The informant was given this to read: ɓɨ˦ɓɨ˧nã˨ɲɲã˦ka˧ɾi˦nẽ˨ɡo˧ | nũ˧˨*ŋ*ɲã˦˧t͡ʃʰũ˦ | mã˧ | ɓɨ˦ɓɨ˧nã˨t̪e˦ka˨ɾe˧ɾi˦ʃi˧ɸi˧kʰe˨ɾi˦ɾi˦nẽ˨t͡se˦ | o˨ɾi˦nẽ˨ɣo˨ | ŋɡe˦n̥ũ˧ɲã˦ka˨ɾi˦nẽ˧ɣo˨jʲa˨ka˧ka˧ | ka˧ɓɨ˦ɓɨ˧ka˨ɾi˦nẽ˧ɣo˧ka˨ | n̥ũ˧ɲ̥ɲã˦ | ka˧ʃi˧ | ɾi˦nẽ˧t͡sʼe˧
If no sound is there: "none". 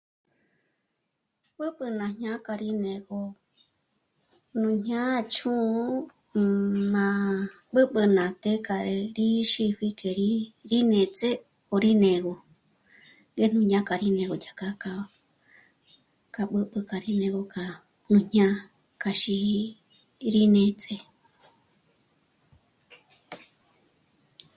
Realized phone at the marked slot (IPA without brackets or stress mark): ɲ